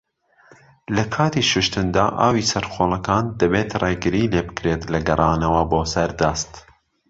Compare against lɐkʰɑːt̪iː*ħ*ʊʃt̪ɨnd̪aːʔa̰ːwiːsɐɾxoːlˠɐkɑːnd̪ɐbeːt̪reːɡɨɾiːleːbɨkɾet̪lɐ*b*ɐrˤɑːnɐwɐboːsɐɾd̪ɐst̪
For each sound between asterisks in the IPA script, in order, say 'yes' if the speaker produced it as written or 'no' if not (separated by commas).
no, no